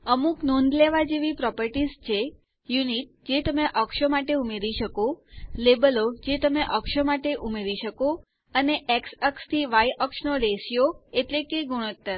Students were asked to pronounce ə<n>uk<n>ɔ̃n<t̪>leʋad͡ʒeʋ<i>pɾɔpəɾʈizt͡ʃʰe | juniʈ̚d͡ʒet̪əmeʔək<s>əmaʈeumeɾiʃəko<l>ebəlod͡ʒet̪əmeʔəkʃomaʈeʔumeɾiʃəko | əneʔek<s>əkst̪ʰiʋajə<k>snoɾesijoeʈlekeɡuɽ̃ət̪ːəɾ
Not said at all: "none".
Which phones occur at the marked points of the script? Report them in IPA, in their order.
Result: m, n, d̪, i, ʃ, l, s, k

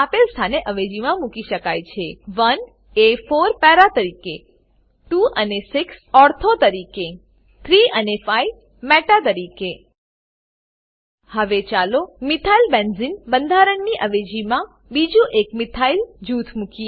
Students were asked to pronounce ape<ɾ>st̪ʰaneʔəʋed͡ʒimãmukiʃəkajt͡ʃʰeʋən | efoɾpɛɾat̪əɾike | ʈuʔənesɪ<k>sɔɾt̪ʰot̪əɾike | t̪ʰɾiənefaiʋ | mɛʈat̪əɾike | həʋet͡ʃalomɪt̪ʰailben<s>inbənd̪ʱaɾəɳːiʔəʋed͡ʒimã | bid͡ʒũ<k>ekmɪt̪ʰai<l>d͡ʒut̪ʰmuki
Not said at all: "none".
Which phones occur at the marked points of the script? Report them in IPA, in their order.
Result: l, k, z, ʔ, l

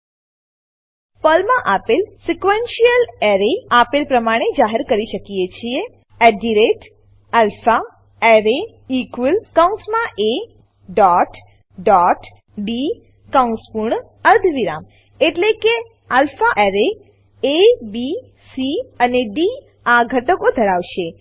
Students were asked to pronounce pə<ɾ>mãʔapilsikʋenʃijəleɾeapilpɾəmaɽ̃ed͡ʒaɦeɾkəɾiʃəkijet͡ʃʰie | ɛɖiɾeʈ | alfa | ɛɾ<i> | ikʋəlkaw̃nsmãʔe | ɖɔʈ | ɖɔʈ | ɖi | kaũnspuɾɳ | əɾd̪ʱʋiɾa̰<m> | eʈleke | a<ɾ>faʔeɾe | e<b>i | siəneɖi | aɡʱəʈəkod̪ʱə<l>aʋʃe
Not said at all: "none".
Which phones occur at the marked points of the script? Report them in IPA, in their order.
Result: l, e, m, l, b, ɾ

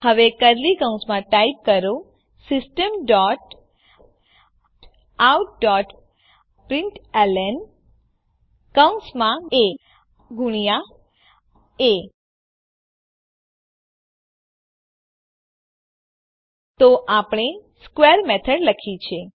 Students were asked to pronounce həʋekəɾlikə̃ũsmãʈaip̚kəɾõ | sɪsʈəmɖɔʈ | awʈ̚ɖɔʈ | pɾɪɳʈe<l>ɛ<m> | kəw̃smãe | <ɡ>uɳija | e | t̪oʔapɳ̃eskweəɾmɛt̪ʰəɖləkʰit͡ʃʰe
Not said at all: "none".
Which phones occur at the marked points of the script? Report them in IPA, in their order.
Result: l, n, ɡ

